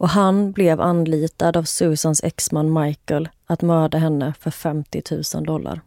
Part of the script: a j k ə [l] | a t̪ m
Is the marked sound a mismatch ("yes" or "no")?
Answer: no